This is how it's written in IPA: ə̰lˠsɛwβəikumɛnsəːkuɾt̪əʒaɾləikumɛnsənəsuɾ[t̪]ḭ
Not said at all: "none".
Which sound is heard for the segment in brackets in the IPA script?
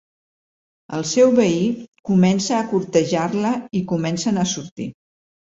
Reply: t̪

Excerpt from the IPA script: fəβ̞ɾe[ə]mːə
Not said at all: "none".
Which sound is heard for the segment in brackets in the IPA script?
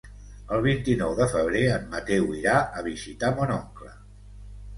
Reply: ə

